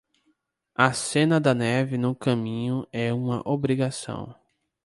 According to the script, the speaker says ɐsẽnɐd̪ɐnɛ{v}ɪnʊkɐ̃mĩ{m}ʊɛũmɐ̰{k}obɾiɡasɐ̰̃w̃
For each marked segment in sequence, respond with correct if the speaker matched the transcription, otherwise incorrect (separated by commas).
correct, incorrect, incorrect